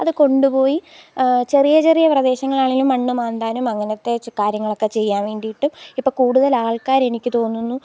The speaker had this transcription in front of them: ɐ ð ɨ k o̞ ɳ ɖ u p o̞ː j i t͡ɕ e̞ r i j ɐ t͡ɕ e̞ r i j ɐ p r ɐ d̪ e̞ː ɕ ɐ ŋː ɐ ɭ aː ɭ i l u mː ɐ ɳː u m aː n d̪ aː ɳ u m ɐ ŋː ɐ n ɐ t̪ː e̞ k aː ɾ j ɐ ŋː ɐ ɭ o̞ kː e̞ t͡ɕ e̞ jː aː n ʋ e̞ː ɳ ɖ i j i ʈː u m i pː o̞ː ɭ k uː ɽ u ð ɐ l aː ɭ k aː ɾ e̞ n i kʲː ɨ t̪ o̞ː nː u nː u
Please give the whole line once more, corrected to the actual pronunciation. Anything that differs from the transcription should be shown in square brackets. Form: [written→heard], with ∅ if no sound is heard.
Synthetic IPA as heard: ɐ ð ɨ k o̞ ɳ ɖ u p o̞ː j i t͡ɕ e̞ r i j ɐ t͡ɕ e̞ r i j ɐ p r ɐ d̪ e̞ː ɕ ɐ ŋː ɐ ɭ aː ɭ i l u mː ɐ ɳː u m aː n d̪ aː [ɳ→n] u m ɐ ŋː ɐ n ɐ t̪ː e̞ k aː ɾ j ɐ ŋː ɐ ɭ o̞ kː e̞ t͡ɕ e̞ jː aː n ʋ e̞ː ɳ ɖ i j i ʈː u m i pː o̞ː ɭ k uː ɽ u ð ɐ l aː ɭ k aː ɾ e̞ n i kʲː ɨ t̪ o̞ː nː u nː u